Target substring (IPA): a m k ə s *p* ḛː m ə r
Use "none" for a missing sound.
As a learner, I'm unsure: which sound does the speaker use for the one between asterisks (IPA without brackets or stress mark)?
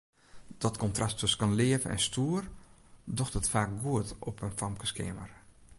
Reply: k